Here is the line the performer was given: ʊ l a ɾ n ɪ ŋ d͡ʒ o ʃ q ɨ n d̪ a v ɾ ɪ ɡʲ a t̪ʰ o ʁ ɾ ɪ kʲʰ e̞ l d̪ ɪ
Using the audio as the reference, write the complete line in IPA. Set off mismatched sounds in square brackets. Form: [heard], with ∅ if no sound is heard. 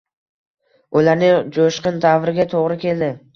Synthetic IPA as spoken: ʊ l a ɾ n ɪ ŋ d͡ʒ o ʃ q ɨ n d̪ a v ɾ ɪ ɡʲ a t̪ʰ o ʁ ɾ ɪ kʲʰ e̞ l d̪ ɪ